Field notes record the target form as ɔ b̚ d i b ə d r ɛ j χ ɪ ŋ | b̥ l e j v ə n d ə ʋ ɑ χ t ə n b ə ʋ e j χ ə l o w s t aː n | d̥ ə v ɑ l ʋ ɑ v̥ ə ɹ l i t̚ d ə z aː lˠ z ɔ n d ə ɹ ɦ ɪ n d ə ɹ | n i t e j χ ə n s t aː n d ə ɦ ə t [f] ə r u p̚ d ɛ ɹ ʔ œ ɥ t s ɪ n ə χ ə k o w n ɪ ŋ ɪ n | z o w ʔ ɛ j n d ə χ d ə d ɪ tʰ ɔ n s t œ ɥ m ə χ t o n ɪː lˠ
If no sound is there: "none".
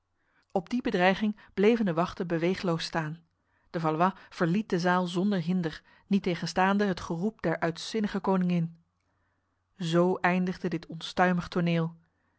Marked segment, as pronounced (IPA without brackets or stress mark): χ